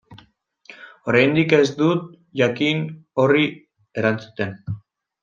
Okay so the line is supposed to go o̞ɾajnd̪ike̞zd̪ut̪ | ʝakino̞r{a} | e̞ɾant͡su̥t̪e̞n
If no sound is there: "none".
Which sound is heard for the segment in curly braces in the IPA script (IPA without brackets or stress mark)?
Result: i